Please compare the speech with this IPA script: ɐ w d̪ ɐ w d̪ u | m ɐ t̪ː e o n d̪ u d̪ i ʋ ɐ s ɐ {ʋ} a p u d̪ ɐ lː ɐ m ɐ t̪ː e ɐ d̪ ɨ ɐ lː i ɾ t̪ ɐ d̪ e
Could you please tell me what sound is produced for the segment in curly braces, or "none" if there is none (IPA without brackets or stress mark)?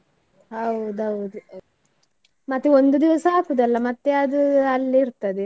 none